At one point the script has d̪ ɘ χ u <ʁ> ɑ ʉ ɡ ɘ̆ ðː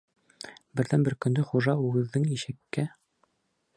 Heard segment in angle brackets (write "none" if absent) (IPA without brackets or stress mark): ʒ